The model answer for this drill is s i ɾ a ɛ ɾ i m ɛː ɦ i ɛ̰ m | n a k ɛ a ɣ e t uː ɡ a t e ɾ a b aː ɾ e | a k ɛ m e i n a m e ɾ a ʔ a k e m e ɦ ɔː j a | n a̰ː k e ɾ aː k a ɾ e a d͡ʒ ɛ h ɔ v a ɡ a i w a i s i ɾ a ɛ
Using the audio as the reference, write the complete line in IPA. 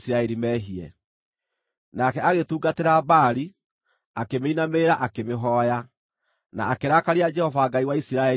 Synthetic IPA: s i ɾ a ɛ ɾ i m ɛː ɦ i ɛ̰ | n a k ɛ a ɣ e t uː ɡ a t e ɾ a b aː ɾ i | a k e m e i n a m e ɾ a ʔ a k e m e ɦ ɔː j a | n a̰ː k e ɾ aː k a ɾ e a d͡ʒ ɛ h ɔ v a ɡ a i w a i s i ɾ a ɛ

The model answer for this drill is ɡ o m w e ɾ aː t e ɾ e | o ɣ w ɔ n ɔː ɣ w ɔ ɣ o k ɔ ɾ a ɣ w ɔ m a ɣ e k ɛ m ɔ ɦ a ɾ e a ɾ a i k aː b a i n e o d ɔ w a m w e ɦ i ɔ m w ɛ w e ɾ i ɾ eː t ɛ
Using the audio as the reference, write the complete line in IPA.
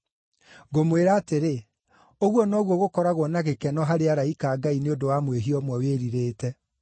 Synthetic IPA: ɡ o m w e ɾ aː t e ɾ e | o ɣ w ɔ n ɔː ɣ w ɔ ɣ o k ɔ ɾ a ɣ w ɔ n a ɣ e k ɛ n ɔ ɦ a ɾ e a ɾ a i k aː ɡ a i n e o d o w a m w e ɦ i ɔ m w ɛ w e ɾ i ɾ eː t ɛ

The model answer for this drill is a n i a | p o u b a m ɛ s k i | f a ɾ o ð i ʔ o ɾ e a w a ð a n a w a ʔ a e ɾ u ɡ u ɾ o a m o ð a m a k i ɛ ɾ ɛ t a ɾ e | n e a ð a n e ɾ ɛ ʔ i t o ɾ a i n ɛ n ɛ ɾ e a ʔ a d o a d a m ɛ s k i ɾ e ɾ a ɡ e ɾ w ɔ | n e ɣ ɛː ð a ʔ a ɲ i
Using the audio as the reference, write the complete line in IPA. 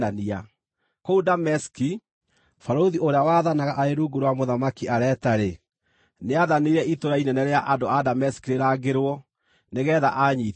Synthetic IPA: a n i a | k o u d a m ɛ s k i | f a ɾ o ð i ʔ o ɾ e a w a ð a n a ɣ a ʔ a e ɾ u ɡ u ɾ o a m o ð a m a k i a ɾ ɛ t a ɾ e | n e a ð a n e ɾ ɛ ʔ i t o ɾ a i n ɛ n ɛ ɾ e a ʔ a d o a d a m ɛ s k i ɾ e ɾ a ɡ e ɾ w ɔ | n e ɣ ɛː ð a ʔ a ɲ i

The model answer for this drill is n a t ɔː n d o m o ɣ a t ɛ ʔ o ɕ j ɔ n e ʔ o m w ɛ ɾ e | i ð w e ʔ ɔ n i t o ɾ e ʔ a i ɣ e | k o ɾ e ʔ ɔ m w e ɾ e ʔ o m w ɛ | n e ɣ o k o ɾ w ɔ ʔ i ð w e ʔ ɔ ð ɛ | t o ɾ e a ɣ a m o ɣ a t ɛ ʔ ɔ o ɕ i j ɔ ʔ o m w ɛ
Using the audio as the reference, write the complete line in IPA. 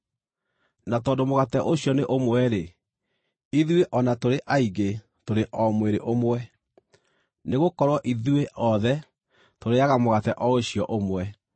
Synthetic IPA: n a t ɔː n d o m o ɣ a t ɛ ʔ o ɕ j ɔ n e ʔ o m w ɛ ɾ e | i ð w e ʔ ɔ n a t o ɾ e ʔ a i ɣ e | t o ɾ e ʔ ɔ m w e ɾ e ʔ o m w ɛ | n e ɣ o k ɔ ɾ w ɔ ʔ i ð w e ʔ ɔ ð ɛ | t o ɾ e a ɣ a m o ɣ a t ɛ ʔ ɔ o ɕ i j ɔ ʔ o m w ɛ

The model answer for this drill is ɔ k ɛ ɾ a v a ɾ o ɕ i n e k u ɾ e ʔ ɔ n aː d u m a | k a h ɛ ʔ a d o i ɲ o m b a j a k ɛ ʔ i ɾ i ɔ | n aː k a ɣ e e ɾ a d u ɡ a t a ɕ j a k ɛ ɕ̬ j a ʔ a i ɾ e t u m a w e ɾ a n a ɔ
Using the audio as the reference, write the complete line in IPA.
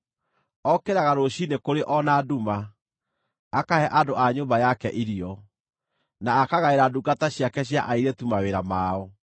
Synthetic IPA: ɔ k e ɾ a ɣ a ɾ o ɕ i n e k o ɾ e ʔ ɔ n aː d u m a | k a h ɛ ʔ a d o a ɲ o m b a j a k ɛ ʔ i ɾ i ɔ | n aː k a ɣ a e ɾ a d u ɡ a t a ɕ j a k ɛ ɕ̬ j a ʔ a i ɾ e t u m a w e ɾ a m a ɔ

